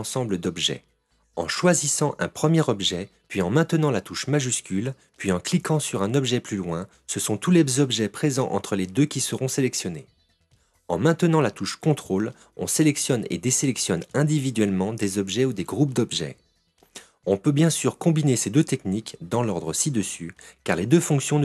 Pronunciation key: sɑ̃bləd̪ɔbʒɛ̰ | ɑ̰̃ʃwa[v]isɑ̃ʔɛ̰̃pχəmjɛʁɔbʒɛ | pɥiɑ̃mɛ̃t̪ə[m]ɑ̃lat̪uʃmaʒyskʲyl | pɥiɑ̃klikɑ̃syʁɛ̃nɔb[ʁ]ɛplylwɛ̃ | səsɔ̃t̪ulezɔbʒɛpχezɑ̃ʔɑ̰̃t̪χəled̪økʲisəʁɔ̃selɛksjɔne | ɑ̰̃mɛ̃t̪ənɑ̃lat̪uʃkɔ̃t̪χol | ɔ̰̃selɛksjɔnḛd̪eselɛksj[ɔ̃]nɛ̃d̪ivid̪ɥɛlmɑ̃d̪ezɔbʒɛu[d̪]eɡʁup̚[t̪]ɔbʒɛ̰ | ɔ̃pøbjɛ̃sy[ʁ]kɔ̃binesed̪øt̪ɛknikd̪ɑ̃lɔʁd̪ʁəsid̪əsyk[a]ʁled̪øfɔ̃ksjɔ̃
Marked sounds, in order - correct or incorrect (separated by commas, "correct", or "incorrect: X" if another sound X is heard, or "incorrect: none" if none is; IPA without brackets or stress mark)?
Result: incorrect: z, incorrect: n, incorrect: ʒ, incorrect: ɔ, correct, incorrect: d̪, correct, correct